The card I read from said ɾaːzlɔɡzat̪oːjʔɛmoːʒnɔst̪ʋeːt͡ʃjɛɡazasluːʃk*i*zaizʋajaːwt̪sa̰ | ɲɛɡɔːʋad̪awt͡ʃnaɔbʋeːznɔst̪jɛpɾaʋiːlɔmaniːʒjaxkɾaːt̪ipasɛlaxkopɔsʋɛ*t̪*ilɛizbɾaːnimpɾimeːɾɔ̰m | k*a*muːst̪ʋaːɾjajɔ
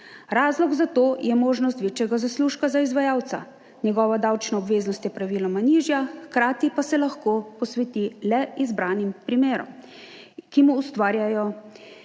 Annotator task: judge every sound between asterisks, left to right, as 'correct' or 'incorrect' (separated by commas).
incorrect, correct, incorrect